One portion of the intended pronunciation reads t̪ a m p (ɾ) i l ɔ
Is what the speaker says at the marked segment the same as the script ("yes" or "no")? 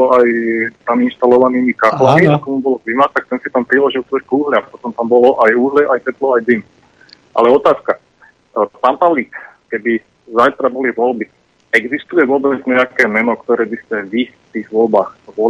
yes